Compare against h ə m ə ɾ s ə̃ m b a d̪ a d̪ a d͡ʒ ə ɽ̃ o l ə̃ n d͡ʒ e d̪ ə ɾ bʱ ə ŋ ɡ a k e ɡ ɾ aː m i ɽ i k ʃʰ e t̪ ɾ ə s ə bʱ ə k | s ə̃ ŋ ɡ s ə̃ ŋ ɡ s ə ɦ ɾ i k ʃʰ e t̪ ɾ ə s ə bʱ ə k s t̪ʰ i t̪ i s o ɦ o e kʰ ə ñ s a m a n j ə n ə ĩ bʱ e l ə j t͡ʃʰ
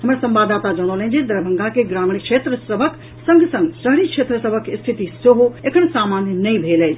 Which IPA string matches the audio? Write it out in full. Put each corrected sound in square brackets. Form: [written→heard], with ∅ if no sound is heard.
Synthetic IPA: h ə m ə ɾ s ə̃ m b a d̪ a [d̪→t̪] a d͡ʒ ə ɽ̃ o l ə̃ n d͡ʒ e d̪ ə ɾ bʱ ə ŋ ɡ a k e ɡ ɾ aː m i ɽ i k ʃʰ e t̪ ɾ ə s ə bʱ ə k | s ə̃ ŋ ɡ s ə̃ ŋ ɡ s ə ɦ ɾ i k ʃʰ e t̪ ɾ ə s ə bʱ ə k s t̪ʰ i t̪ i s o ɦ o e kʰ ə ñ s a m a n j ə n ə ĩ bʱ e l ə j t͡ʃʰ